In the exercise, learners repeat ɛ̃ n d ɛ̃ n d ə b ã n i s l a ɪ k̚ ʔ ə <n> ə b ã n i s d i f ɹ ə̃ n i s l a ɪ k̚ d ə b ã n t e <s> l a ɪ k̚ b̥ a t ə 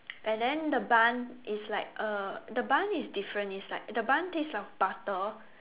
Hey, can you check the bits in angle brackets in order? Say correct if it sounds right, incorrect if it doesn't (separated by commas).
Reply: incorrect, correct